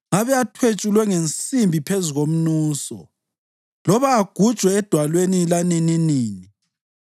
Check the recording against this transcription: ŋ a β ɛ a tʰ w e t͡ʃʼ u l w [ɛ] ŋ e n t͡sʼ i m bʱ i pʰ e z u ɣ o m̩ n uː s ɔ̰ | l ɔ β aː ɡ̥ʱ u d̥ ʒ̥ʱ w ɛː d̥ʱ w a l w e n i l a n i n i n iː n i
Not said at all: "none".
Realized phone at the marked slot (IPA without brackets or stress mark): ɛ